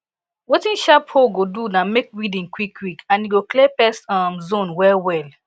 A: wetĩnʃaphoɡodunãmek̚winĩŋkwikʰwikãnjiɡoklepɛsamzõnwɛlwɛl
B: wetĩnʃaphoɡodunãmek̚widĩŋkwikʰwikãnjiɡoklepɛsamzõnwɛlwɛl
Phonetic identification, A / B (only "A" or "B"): B